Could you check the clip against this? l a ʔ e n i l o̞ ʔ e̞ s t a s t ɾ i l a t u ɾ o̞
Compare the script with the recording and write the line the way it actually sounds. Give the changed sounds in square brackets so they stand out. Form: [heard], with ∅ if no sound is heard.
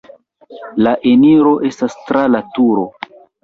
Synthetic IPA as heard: l a ʔ e n i [ɾ] o̞ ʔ e̞ s t a s t ɾ [a] l a t u ɾ o̞

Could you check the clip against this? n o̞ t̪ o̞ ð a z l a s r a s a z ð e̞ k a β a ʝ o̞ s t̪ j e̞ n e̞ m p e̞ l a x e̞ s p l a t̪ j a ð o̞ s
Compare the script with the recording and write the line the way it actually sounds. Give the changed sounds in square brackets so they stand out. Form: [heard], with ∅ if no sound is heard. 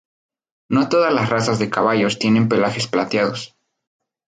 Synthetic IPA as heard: n o̞ t̪ o̞ ð a z l a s r a s a z ð e̞ k a β a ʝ o̞ s t̪ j e̞ n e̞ m p e̞ l a x e̞ s p l a t̪ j a ð o̞ s

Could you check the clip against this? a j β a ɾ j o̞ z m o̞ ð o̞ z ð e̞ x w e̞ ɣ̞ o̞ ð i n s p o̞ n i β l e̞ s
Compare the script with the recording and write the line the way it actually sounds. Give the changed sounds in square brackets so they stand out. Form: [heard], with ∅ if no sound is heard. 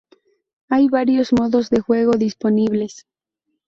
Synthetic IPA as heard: a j β a ɾ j o̞ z m o̞ ð o̞ z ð e̞ x w e̞ ɣ̞ o̞ ð i [∅] s p o̞ n i β l e̞ s

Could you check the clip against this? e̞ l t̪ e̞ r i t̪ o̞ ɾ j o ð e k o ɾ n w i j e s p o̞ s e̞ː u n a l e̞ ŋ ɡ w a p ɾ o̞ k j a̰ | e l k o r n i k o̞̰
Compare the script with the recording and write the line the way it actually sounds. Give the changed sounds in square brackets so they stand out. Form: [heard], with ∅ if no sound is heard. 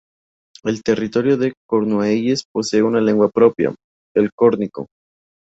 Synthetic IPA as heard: e̞ l t̪ e̞ r i t̪ o̞ ɾ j o ð e k o ɾ n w [e] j e s p o̞ s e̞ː u n a l e̞ ŋ ɡ w a p ɾ o̞ [p] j a̰ | e l k o [ɾ] n i k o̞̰

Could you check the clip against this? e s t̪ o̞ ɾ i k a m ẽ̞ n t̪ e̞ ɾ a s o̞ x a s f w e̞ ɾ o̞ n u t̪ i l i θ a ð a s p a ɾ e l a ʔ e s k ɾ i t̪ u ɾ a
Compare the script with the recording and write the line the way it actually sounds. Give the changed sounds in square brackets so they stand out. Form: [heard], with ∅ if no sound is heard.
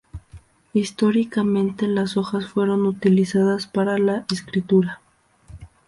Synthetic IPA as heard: [i] s t̪ o̞ ɾ i k a m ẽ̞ n t̪ e̞ [l] a s o̞ x a s f w e̞ ɾ o̞ n u t̪ i l i [s] a ð a s p a ɾ [a] l a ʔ e s k ɾ i t̪ u ɾ a

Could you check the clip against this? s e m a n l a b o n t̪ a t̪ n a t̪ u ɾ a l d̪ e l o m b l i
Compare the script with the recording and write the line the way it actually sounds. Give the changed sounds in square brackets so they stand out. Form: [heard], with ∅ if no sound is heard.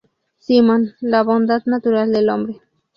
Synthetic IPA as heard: s [i] m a n l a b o n [d̪] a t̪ n a t̪ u ɾ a l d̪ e l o m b [ɾ] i

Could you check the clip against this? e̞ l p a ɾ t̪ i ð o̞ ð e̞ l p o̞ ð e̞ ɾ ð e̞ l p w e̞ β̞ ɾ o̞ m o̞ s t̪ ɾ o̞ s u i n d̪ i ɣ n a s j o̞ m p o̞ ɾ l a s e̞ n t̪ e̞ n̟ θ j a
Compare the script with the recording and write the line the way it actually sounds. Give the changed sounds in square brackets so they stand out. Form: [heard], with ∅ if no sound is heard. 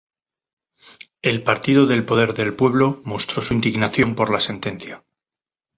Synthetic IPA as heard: e̞ l p a ɾ t̪ i ð o̞ ð e̞ l p o̞ ð e̞ ɾ ð e̞ l p w e̞ β̞ [l] o̞ m o̞ s t̪ ɾ o̞ s u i n d̪ i ɣ n a [θ] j o̞ m p o̞ ɾ l a s e̞ n t̪ e̞ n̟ θ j a

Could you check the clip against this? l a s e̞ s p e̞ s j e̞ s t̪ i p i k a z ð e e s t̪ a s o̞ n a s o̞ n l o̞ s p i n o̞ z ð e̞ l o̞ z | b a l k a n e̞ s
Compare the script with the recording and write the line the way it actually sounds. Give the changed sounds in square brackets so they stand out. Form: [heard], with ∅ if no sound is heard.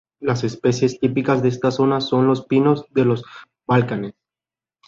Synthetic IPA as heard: l a s e̞ s p e̞ s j e̞ s t̪ i p i k a z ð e e s t̪ a s o̞ n a s o̞ n l o̞ s p i n o̞ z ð e̞ l o̞ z | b a l k a n e̞ s

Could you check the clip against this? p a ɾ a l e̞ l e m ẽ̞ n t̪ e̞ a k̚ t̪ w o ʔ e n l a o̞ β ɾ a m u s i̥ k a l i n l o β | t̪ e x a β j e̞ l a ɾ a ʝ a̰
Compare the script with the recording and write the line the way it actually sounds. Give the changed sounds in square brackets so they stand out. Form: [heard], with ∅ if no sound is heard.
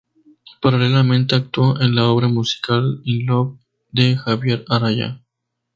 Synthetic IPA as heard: p a ɾ a l e̞ l [a] m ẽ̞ n t̪ e̞ a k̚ t̪ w o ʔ e n l a o̞ β ɾ a m u s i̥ k a l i n l o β | [d̪] e x a β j e̞ [ɾ] a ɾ a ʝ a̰

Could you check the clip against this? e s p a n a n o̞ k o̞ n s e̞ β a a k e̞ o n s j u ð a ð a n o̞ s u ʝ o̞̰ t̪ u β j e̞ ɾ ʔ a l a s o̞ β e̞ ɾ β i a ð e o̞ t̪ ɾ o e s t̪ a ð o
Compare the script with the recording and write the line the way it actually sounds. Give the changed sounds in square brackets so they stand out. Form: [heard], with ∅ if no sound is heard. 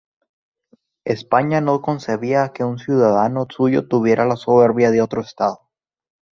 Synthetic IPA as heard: e s p a [ɲ] a n o̞ k o̞ n s e̞ β [i] a k e̞ [u] n s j u ð a ð a n o̞ s u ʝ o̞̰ t̪ u β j e̞ ɾ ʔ a l a s o̞ β e̞ ɾ β [j] a ð e o̞ t̪ ɾ o e s t̪ a ð o

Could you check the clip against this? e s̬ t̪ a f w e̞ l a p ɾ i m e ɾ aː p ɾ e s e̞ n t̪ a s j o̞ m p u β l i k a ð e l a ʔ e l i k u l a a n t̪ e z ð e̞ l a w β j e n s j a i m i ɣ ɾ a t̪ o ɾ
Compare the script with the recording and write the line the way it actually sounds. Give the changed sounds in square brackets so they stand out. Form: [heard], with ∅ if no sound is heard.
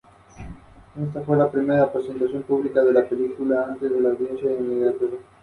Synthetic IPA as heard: e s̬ t̪ a f w e̞ l a p ɾ i m e ɾ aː p ɾ e s e̞ n t̪ a s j o̞ m p u β l i k a ð e l a [p] e l i k u l a a n t̪ e z ð e̞ l a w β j e n s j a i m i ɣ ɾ a t̪ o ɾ

